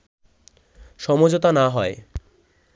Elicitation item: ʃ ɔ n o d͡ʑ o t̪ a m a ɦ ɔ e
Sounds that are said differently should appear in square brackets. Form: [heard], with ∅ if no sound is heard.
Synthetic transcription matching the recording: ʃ ɔ [m] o d͡ʑ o t̪ a [n] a ɦ ɔ e